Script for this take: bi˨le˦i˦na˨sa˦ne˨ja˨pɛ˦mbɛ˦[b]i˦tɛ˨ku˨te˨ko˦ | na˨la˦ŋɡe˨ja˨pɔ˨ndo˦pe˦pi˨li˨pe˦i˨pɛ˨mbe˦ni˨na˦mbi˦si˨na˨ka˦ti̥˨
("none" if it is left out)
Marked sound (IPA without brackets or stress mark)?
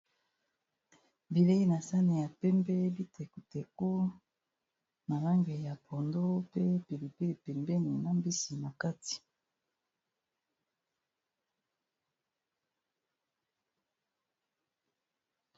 b